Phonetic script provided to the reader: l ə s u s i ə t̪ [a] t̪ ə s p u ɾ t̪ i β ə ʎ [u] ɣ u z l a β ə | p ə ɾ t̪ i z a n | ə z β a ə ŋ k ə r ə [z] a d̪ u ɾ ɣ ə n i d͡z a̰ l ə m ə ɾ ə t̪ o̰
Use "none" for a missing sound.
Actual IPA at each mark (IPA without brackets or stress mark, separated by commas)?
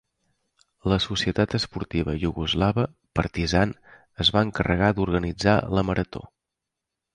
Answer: a, u, ɣ